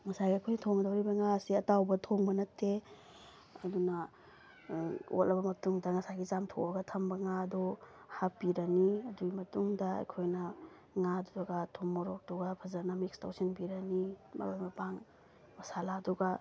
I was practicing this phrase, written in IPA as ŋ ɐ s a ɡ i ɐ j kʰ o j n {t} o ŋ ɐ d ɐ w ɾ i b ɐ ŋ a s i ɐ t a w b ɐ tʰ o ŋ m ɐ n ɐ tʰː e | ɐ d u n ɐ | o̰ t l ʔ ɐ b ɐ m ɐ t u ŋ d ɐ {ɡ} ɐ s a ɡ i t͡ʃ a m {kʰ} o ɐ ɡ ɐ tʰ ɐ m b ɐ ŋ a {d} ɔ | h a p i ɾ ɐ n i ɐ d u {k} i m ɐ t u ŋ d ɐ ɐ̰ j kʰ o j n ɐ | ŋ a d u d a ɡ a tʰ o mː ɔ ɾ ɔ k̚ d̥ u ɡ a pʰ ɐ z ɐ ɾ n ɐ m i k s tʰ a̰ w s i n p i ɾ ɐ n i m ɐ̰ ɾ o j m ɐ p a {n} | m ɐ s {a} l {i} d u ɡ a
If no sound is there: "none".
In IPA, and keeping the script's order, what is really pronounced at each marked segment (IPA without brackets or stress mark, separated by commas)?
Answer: tʰ, ŋ, tʰ, d, ɡ, ŋ, a, a